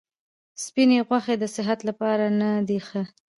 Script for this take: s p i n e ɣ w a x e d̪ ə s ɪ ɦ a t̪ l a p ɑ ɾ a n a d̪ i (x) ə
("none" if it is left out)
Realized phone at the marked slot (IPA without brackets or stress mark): x